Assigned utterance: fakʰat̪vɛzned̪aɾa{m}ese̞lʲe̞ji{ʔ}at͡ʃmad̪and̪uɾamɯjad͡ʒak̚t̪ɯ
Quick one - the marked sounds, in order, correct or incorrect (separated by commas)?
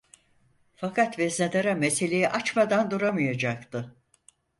correct, correct